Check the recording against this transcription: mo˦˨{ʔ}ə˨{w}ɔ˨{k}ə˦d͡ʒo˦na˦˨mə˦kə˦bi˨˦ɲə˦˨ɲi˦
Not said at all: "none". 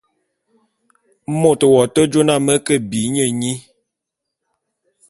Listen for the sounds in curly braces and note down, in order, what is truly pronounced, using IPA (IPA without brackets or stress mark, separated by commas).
t, w, t